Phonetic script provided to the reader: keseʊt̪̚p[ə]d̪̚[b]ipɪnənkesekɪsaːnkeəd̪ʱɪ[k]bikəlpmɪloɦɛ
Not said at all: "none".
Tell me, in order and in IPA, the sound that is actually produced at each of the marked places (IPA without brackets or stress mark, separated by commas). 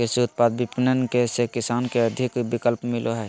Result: a, b, k